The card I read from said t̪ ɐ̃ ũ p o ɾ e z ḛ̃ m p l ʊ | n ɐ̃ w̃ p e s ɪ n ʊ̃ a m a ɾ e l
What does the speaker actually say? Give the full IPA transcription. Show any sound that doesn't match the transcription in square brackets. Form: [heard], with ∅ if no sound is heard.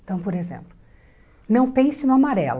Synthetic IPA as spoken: t̪ ɐ̃ [w̃] p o ɾ e z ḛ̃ m p l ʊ | n ɐ̃ w̃ p [ẽ] s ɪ n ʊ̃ a m a ɾ [ɛ] l